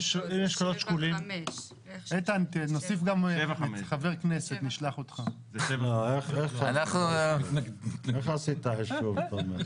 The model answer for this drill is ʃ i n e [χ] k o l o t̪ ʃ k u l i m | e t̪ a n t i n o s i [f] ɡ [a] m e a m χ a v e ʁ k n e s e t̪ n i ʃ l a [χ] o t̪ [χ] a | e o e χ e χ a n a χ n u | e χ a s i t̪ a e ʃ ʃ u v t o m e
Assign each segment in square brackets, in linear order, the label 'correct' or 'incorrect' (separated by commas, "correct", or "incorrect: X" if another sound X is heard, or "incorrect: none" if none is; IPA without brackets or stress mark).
incorrect: ʃ, correct, correct, correct, correct